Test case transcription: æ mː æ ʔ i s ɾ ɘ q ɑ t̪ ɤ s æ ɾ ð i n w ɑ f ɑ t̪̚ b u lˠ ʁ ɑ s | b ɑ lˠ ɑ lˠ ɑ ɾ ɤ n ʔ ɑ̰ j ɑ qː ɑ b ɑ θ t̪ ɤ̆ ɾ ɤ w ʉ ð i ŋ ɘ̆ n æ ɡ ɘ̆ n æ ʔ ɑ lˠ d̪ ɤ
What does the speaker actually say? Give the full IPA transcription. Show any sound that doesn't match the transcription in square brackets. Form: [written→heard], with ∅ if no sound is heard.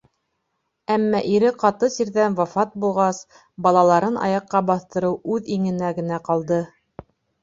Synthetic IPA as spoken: æ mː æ ʔ i [s→∅] ɾ ɘ q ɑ t̪ ɤ s [æ→i] ɾ ð [i→æ] n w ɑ f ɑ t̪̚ b u lˠ ʁ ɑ s | b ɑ lˠ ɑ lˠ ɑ ɾ ɤ n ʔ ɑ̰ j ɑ qː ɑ b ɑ θ t̪ ɤ̆ ɾ ɤ w ʉ ð i ŋ ɘ̆ n æ ɡ ɘ̆ n æ [ʔ→q] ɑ lˠ d̪ ɤ

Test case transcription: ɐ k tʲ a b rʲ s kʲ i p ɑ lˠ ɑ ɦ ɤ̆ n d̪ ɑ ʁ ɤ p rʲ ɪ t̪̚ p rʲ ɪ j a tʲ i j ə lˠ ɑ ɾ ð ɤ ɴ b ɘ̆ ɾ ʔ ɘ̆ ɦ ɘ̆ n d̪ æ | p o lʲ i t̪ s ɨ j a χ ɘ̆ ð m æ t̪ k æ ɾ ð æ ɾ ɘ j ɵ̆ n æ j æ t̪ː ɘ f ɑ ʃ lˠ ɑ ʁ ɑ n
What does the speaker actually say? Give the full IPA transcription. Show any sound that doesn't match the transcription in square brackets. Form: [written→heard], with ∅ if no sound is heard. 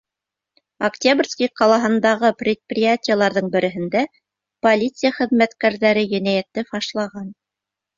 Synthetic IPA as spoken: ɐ k tʲ a b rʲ s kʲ i [p→q] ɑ lˠ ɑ ɦ ɤ̆ n d̪ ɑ ʁ ɤ p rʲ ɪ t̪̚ p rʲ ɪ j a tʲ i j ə lˠ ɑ ɾ ð ɤ ɴ b ɘ̆ ɾ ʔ ɘ̆ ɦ ɘ̆ n d̪ æ | p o lʲ i t̪ s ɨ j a χ ɘ̆ ð m æ t̪ k æ ɾ ð æ ɾ ɘ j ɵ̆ n æ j æ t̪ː ɘ f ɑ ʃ lˠ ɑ ʁ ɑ n

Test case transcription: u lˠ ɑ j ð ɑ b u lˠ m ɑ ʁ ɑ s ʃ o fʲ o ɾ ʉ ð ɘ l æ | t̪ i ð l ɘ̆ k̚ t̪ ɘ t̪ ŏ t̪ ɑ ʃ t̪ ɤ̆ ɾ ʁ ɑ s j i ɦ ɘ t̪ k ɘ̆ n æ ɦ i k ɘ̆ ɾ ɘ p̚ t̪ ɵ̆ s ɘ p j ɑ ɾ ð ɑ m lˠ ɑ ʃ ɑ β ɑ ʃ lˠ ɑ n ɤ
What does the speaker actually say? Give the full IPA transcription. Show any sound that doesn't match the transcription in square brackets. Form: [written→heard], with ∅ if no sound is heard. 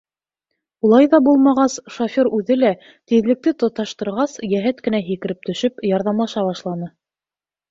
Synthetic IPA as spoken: u lˠ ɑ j ð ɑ b u lˠ m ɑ ʁ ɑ s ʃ o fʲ o ɾ ʉ ð ɘ l æ | t̪ i ð l ɘ̆ k̚ t̪ ɘ t̪ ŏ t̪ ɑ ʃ t̪ ɤ̆ ɾ ʁ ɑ s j [i→æ] ɦ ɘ t̪ k ɘ̆ n æ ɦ i k ɘ̆ ɾ ɘ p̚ t̪ ɵ̆ [s→ʃ] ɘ p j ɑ ɾ ð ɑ m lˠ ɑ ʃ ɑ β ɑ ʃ lˠ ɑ n ɤ

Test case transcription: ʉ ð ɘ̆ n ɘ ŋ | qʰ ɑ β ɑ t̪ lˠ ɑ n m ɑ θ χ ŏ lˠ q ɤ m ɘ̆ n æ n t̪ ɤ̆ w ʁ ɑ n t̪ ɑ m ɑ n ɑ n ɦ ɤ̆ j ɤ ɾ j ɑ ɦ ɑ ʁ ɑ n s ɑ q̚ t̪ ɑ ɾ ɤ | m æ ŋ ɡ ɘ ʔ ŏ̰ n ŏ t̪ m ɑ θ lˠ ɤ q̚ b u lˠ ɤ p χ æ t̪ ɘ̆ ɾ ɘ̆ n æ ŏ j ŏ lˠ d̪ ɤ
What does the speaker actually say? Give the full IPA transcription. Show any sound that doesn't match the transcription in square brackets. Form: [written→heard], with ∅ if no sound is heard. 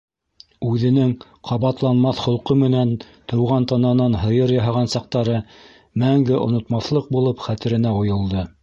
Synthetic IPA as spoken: ʉ ð ɘ̆ n ɘ ŋ | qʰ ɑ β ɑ t̪ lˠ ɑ n m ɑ θ χ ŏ lˠ q ɤ m ɘ̆ n æ n t̪ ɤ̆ w ʁ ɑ n t̪ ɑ [m→n] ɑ n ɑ n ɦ ɤ̆ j ɤ ɾ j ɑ ɦ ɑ ʁ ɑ n s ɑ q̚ t̪ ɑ ɾ ɤ | m æ ŋ ɡ ɘ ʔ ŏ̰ n ŏ t̪ m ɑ θ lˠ ɤ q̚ b u lˠ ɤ p χ æ t̪ ɘ̆ ɾ ɘ̆ n æ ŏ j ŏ lˠ d̪ ɤ

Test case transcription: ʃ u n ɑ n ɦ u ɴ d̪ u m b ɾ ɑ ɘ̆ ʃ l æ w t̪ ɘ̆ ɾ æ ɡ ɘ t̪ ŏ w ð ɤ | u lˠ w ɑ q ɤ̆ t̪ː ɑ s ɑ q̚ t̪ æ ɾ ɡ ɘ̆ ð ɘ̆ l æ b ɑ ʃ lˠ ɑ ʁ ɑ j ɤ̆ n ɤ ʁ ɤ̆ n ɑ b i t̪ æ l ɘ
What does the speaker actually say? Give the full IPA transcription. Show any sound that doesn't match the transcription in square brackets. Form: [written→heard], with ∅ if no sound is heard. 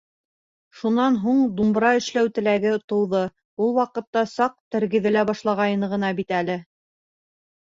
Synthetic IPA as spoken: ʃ u n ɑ n ɦ u ɴ d̪ u m b ɾ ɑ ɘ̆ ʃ l æ w t̪ ɘ̆ [ɾ→l] æ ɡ ɘ t̪ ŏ w ð ɤ | u lˠ w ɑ q ɤ̆ t̪ː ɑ s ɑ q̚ t̪ æ ɾ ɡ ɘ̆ ð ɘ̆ l æ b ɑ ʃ lˠ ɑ ʁ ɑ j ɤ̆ n ɤ ʁ ɤ̆ n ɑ b i t̪ æ l ɘ

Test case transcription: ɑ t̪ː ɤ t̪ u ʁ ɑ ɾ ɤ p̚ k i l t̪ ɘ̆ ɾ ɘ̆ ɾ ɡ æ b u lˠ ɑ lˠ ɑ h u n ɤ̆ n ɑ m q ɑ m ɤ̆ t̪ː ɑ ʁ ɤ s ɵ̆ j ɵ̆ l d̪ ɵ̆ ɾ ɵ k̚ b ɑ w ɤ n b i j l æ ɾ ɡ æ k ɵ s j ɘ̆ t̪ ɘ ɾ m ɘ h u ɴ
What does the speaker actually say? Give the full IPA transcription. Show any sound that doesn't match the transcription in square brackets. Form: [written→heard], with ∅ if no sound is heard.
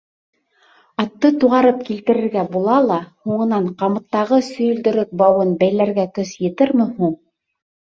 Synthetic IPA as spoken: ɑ t̪ː ɤ t̪ u ʁ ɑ ɾ ɤ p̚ k i l t̪ ɘ̆ ɾ ɘ̆ ɾ ɡ æ b u lˠ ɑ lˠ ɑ h u [n→ɴ] ɤ̆ n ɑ [m→ɴ] q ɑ m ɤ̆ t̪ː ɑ ʁ ɤ s ɵ̆ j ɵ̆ l d̪ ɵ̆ ɾ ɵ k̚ b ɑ w ɤ n b [i→æ] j l æ ɾ ɡ æ k ɵ s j ɘ̆ t̪ ɘ ɾ m ɘ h u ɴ

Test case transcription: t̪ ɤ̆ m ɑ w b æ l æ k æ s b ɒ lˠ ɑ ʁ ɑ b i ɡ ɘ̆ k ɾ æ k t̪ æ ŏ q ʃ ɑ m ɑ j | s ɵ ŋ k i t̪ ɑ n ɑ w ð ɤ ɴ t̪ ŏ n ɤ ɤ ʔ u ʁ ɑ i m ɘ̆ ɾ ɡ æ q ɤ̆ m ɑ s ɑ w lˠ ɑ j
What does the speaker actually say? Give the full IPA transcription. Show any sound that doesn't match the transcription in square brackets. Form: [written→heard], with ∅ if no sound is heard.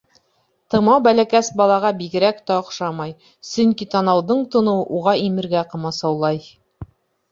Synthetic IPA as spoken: t̪ ɤ̆ m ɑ w b æ l æ k æ s b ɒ lˠ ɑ ʁ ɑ b i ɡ ɘ̆ [k→∅] ɾ æ k t̪ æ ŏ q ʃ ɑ m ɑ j | s ɵ ŋ k i t̪ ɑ n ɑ w ð ɤ ɴ t̪ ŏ n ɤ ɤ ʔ u ʁ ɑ i m ɘ̆ ɾ ɡ æ q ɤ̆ m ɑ s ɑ w lˠ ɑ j

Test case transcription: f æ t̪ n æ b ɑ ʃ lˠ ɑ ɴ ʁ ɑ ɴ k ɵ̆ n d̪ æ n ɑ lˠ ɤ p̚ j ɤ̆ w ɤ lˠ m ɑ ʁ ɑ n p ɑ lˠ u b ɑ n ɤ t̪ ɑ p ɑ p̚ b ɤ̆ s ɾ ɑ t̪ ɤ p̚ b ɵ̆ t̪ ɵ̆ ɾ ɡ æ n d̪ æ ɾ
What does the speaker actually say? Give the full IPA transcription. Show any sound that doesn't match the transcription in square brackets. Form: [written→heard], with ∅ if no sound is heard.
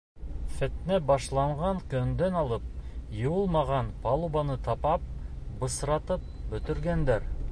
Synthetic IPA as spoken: f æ t̪ n æ b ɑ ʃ lˠ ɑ ɴ ʁ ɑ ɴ k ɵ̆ n d̪ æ n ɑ lˠ ɤ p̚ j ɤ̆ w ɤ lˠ m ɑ ʁ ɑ n p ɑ lˠ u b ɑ n ɤ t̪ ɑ p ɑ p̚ b ɤ̆ s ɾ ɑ t̪ ɤ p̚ b ɵ̆ t̪ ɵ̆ ɾ ɡ æ n d̪ æ ɾ

